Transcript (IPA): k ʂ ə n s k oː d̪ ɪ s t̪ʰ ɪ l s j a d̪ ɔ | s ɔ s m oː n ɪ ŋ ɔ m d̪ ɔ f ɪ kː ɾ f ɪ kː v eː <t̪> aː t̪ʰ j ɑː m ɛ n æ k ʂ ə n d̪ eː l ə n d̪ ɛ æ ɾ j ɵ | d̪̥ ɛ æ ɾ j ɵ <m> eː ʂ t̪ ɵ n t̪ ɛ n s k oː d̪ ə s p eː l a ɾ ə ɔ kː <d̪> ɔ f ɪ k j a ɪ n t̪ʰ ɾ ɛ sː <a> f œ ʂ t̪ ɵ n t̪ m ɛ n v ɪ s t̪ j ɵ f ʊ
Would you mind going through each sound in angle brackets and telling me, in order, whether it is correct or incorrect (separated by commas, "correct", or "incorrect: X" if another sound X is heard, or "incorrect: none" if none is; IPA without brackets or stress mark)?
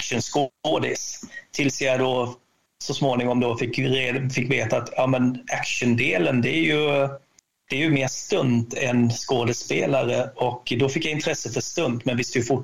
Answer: correct, correct, correct, incorrect: ə